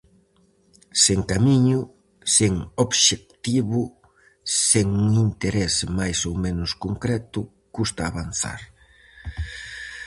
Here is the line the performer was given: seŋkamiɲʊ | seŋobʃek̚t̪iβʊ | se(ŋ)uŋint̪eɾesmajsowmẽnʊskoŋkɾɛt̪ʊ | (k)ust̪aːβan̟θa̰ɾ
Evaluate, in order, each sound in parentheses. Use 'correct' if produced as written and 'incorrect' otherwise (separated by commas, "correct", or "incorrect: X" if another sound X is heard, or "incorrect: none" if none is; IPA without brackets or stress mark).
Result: correct, correct